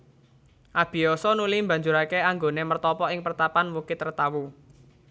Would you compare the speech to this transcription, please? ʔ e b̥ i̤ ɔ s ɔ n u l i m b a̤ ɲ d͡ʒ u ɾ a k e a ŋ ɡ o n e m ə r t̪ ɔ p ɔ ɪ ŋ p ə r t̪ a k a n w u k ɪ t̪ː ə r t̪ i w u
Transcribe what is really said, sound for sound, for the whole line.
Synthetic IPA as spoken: ʔ a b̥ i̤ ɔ s ɔ n u l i m b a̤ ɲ d͡ʒ u ɾ a k e a ŋ ɡ o n e m ə r t̪ ɔ p ɔ ɪ ŋ p ə r t̪ a p a n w u k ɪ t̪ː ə r t̪ a w u